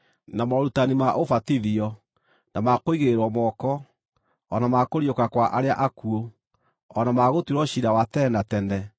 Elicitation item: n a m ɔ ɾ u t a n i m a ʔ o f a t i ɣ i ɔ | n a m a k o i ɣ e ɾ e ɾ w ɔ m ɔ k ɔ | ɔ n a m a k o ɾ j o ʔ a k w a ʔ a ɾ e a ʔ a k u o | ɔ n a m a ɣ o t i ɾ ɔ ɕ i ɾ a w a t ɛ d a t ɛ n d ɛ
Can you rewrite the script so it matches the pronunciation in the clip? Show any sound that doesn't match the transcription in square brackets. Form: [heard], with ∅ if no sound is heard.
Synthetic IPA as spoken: n a m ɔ ɾ u t a n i m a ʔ o f a t i [ð] i ɔ | n a m a k o i ɣ e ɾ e ɾ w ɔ m ɔ k ɔ | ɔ n a m a k o ɾ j o [k] a k w a ʔ a ɾ e a ʔ a k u o | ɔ n a m a ɣ o t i ɾ ɔ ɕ i ɾ a w a t ɛ [n] a t ɛ n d ɛ